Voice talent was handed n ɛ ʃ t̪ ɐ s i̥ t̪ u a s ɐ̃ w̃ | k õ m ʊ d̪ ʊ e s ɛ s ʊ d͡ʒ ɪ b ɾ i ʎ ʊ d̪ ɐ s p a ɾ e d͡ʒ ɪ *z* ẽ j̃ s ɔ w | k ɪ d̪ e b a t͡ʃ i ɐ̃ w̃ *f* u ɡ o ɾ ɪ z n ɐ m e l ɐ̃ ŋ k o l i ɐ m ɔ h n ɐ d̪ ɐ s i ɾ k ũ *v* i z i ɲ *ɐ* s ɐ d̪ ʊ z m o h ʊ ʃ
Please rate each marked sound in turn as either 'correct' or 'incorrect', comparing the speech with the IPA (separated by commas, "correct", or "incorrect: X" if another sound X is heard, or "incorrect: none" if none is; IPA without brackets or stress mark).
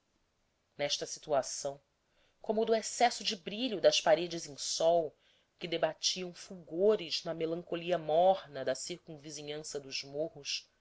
correct, correct, correct, incorrect: ɐ̃